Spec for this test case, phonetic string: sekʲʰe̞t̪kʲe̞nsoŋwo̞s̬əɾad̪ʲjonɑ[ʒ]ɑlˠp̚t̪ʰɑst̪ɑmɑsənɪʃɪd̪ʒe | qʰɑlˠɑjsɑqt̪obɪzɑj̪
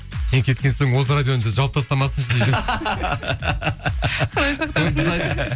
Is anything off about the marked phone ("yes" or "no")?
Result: no